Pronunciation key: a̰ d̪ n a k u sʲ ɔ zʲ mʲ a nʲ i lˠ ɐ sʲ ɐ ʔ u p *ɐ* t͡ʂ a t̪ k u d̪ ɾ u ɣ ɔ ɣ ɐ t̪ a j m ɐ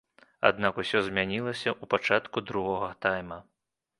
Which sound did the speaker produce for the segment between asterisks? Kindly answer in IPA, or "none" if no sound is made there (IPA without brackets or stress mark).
a